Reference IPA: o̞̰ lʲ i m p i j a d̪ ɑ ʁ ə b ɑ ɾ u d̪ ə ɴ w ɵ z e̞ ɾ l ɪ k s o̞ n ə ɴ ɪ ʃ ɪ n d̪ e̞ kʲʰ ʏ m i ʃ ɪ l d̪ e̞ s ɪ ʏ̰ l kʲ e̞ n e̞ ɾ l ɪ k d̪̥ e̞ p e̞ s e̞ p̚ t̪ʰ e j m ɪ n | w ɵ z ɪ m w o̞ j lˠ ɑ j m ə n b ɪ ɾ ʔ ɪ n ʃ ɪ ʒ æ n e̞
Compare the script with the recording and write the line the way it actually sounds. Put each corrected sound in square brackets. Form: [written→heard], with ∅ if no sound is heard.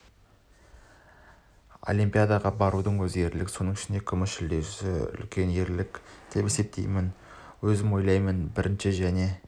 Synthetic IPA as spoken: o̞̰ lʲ i m p i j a d̪ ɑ ʁ [ə→ɑ] b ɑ ɾ u d̪ ə ɴ w ɵ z e̞ ɾ l ɪ k s o̞ n ə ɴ ɪ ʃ ɪ n d̪ e̞ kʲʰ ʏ m [i→ɪ] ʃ ɪ l d̪ e̞ s ɪ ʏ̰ l kʲ e̞ n e̞ ɾ l ɪ k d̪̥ e̞ p e̞ s e̞ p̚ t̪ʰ e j m ɪ n | w ɵ z ɪ m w o̞ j lˠ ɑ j m ə n b ɪ ɾ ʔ ɪ n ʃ ɪ ʒ æ n e̞